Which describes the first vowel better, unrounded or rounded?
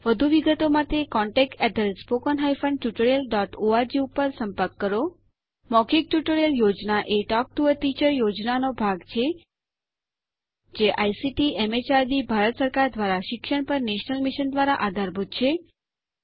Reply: unrounded